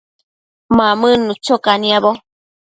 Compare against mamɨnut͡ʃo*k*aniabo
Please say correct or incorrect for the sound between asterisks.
correct